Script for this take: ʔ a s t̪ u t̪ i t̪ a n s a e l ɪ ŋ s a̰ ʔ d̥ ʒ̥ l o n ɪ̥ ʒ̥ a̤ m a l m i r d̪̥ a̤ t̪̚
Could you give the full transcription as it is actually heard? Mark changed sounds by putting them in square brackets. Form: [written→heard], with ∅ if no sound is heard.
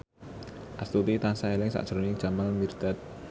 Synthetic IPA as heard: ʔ a s t̪ u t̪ i t̪ a n s a e l ɪ ŋ s a̰ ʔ d̥ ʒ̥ [l→ɾ] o n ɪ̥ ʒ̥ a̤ m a l m i r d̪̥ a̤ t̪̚